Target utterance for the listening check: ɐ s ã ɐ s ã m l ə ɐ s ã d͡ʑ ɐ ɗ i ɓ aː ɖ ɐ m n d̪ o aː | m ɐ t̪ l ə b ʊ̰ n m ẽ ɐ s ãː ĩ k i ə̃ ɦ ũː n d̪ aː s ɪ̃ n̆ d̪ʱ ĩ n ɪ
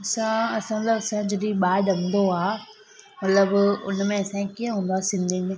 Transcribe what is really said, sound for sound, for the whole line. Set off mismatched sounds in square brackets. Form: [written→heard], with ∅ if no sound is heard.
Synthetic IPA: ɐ s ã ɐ s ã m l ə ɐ s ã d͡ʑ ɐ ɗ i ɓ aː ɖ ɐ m n d̪ o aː | m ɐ t̪ l ə b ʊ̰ n m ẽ ɐ s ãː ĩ k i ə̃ ɦ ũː n d̪ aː s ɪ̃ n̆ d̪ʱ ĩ n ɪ